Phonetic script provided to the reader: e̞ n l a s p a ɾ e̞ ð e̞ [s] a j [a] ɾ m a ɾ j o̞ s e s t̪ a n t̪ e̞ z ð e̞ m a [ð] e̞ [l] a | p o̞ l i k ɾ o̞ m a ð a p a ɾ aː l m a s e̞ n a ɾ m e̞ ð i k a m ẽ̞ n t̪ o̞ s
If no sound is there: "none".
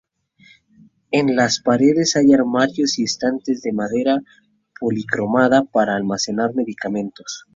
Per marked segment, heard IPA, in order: s, a, ð, ɾ

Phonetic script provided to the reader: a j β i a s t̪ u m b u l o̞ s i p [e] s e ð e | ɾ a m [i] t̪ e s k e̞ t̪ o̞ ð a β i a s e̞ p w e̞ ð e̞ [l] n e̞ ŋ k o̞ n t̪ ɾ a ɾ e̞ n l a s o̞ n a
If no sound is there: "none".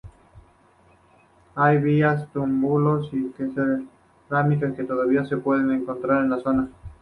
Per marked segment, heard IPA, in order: e, i, none

